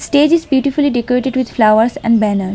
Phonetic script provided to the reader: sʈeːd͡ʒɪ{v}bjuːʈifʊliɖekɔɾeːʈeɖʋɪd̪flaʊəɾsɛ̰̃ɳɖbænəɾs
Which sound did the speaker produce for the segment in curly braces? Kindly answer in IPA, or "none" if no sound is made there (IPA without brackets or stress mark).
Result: z